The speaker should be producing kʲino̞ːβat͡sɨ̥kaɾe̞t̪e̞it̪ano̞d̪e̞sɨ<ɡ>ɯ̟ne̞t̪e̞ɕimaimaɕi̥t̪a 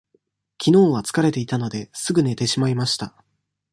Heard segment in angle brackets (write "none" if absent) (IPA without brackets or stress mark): ɡ